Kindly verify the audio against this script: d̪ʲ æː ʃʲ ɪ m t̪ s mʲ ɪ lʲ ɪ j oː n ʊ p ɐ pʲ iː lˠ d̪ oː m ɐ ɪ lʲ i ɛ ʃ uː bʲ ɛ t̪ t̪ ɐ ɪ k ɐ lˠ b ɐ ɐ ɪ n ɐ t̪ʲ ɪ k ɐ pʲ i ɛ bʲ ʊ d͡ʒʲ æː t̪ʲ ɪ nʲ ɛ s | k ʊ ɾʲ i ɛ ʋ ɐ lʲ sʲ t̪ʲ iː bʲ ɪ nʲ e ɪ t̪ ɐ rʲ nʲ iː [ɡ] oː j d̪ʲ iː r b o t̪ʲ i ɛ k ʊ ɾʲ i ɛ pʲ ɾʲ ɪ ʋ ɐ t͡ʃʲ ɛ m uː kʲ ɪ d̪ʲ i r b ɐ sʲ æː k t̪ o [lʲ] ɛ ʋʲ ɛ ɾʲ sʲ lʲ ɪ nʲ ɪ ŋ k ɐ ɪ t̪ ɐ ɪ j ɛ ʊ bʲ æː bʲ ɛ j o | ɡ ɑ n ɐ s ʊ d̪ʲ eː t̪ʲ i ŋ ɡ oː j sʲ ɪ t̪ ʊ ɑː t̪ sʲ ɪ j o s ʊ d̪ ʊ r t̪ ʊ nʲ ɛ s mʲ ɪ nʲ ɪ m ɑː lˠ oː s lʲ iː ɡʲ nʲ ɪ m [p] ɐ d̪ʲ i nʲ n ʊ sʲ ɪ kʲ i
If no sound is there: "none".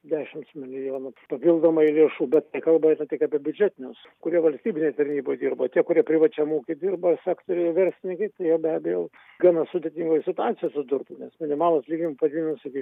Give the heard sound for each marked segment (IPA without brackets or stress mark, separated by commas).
b, ɾʲ, p